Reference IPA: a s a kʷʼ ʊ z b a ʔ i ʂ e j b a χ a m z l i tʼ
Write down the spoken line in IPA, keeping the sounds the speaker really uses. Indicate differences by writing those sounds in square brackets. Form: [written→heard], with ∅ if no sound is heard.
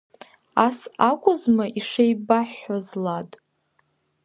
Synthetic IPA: a s a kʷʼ ʊ z [b→m] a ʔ i ʂ e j b a [χ→ħ] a [m→∅] z l [i→a] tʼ